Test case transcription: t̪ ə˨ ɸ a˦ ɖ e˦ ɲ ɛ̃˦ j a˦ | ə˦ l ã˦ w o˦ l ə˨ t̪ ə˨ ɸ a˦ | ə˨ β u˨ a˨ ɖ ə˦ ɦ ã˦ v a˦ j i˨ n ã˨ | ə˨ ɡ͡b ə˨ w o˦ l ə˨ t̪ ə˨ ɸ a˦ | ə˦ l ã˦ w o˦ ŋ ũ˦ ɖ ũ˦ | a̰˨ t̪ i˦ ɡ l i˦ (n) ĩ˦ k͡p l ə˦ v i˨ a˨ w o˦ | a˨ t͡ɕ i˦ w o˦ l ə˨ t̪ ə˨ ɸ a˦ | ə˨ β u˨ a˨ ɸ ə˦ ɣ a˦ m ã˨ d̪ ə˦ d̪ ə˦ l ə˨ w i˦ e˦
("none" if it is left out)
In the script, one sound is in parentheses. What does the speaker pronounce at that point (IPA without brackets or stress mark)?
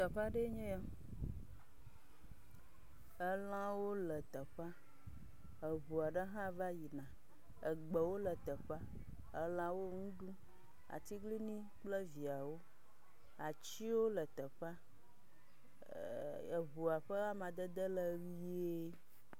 n